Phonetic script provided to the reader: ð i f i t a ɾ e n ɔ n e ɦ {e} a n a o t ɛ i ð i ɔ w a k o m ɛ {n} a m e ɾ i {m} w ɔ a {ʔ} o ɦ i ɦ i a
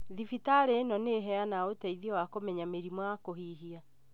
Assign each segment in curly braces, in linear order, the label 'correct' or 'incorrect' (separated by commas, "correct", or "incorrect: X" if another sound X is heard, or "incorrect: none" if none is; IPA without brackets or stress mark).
incorrect: ɛ, incorrect: ɲ, correct, incorrect: k